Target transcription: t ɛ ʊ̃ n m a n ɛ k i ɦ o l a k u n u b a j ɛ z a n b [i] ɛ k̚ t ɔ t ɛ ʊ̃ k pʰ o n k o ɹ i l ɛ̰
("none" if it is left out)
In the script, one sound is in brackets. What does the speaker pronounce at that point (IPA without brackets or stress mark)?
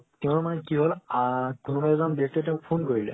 i